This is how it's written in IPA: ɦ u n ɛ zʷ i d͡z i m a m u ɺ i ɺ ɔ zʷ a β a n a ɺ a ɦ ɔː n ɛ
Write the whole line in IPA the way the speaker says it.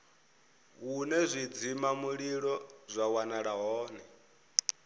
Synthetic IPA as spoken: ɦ u n ɛ zʷ i d͡z i m a m u ɺ i ɺ ɔ zʷ a w a n a ɺ a ɦ ɔː n ɛ